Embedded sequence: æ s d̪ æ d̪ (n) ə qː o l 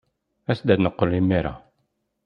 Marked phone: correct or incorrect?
correct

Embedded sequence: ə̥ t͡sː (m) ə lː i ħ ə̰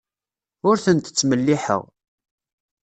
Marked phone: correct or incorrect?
correct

